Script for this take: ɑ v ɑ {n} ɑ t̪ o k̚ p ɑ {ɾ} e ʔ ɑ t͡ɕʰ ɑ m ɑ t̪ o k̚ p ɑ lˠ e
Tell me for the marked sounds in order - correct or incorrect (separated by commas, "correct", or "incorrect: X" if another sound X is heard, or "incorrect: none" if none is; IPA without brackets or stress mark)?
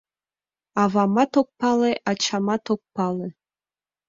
incorrect: m, incorrect: l